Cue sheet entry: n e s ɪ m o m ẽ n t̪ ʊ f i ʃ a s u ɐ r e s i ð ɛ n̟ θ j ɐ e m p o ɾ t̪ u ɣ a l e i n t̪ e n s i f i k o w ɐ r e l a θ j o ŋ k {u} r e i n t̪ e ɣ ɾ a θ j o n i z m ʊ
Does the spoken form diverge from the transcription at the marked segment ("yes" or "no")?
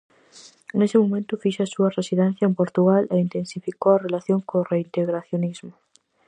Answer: yes